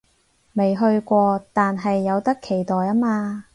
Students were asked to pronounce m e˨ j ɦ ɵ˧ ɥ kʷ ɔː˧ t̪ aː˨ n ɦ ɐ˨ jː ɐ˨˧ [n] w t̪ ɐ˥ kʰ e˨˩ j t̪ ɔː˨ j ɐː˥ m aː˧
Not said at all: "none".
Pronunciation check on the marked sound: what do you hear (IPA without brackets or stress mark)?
none